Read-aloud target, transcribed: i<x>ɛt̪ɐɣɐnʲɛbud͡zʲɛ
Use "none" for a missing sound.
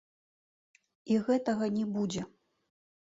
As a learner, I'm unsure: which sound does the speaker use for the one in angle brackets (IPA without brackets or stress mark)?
ɣ